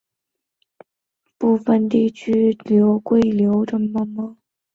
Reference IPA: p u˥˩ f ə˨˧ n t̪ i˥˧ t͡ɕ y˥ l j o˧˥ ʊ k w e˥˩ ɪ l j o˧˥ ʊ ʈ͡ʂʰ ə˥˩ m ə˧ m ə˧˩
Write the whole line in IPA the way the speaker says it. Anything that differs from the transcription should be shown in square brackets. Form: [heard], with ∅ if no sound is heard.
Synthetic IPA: p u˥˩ f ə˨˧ n t̪ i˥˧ [t͡ɕʰ] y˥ l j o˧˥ ʊ k w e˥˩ ɪ l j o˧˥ ʊ [ʈ͡ʂ] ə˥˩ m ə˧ m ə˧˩